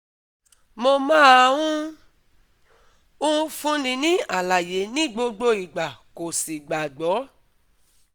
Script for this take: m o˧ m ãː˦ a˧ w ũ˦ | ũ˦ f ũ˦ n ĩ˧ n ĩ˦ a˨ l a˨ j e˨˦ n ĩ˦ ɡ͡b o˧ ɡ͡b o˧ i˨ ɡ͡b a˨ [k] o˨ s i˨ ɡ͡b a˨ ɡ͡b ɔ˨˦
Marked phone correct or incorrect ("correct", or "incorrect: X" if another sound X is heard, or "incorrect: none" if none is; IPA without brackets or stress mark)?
correct